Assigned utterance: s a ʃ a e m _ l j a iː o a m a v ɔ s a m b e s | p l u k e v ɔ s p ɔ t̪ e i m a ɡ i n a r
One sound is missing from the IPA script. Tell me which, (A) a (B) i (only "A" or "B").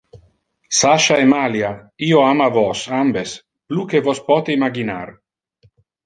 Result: A